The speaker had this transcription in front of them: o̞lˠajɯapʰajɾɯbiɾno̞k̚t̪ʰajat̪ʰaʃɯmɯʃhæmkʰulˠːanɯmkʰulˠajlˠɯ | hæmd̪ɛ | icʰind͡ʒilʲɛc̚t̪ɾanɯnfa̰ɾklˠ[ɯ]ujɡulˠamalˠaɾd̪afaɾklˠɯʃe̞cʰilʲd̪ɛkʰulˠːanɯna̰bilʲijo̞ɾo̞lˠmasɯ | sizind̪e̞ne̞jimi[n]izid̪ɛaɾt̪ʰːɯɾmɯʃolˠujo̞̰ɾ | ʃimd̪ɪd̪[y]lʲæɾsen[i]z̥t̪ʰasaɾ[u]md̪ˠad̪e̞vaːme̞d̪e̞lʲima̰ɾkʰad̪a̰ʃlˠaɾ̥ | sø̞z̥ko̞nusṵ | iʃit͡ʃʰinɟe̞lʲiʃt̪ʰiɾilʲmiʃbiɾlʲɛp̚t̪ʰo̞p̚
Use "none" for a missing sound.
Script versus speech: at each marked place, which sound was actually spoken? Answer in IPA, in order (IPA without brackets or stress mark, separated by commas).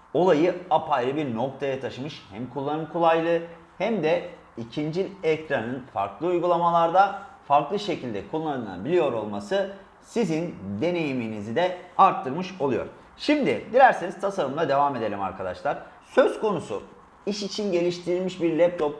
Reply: ɯ, n, i, i, ɯ